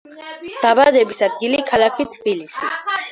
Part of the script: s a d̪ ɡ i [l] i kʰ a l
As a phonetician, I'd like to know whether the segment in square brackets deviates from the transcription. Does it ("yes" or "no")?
no